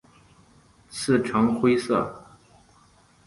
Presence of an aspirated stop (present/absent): present